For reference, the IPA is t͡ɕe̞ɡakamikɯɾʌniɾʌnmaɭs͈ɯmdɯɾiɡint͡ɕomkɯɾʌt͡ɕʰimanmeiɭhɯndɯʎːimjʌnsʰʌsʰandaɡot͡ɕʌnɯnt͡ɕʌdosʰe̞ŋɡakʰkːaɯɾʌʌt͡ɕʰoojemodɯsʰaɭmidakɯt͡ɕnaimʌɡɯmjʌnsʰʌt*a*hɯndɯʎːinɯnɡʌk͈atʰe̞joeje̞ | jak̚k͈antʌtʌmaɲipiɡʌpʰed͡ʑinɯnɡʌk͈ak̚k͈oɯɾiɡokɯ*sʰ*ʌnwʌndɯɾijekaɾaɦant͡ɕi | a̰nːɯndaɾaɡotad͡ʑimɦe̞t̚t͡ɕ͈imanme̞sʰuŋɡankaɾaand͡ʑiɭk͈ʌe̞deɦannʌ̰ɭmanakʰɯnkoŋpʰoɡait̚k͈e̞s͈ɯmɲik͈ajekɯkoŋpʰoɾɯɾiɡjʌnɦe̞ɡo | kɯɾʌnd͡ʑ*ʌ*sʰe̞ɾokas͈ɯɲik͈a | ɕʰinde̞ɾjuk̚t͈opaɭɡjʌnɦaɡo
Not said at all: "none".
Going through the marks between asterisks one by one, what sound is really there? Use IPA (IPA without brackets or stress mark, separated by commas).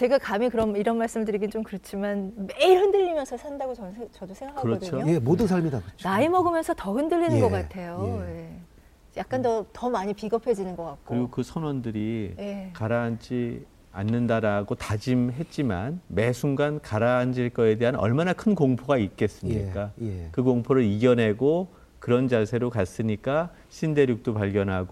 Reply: ʌ, sʰ, a